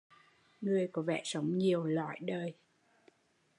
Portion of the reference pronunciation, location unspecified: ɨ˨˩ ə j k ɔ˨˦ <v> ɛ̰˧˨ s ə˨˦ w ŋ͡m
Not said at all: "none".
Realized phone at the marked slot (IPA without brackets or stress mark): v